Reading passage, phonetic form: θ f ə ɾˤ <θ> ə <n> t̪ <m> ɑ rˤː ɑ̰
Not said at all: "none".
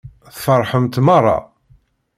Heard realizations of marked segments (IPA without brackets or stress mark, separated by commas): ħ, m, m